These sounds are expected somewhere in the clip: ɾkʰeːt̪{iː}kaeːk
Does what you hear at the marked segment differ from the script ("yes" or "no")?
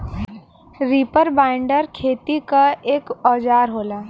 yes